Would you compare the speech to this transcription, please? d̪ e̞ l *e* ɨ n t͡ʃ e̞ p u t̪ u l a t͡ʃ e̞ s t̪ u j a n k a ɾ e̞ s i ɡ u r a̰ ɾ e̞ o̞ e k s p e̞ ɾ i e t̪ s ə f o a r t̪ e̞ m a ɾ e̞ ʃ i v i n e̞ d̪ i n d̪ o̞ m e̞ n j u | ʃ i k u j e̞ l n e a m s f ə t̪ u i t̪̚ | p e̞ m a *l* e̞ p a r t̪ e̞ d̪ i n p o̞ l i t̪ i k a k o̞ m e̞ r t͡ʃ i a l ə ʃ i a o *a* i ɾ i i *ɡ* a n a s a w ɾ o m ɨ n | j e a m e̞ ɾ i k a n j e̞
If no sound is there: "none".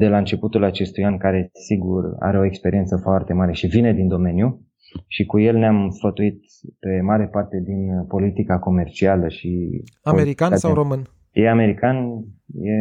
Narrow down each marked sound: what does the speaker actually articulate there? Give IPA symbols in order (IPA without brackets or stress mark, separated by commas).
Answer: a, ɾ, e, k